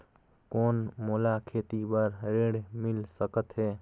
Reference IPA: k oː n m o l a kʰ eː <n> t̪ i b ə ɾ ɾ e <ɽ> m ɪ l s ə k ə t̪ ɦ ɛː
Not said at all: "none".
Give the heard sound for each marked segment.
none, ɽ

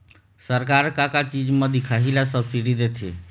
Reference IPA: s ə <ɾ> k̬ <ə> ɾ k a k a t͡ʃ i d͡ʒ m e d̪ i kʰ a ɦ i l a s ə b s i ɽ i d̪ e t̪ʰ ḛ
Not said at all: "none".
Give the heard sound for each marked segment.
ɾ, a

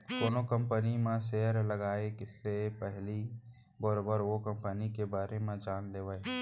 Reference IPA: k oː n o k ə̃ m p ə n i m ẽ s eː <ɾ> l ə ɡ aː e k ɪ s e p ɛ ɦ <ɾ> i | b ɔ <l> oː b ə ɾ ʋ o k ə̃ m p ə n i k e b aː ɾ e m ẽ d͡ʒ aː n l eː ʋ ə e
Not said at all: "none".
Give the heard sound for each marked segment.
ɾ, l, ɾ

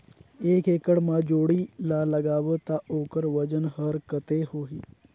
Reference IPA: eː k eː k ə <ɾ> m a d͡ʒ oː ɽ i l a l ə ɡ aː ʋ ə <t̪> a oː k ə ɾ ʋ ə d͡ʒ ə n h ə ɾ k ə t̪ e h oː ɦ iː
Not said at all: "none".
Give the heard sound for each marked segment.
ɽ, t̪

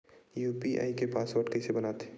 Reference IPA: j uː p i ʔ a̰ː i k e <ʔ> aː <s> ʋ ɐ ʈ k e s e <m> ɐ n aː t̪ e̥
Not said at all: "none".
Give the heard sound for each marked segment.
p, s, b

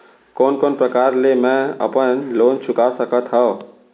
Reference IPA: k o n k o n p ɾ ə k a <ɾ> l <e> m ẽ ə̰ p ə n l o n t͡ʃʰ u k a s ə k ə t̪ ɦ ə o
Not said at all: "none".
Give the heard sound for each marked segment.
ɾ, e

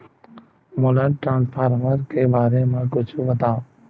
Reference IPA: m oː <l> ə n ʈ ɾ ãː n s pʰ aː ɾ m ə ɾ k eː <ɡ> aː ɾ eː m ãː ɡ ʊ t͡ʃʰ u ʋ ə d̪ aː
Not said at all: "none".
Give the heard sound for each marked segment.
l, b

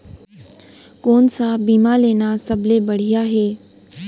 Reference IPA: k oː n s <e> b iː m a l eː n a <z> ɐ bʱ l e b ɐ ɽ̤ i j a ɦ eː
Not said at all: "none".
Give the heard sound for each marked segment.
a, s

